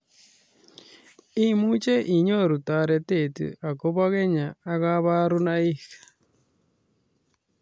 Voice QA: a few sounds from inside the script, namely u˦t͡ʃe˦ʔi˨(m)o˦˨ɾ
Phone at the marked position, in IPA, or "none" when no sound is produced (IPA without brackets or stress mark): ɲ